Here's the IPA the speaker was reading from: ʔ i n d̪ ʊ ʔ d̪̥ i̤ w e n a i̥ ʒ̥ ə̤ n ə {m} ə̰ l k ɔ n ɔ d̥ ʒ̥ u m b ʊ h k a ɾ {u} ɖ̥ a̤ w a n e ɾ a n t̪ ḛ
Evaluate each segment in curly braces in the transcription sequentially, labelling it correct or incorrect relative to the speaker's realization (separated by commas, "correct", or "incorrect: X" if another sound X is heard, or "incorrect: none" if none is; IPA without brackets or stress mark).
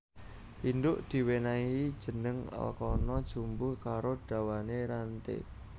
incorrect: ŋ, incorrect: o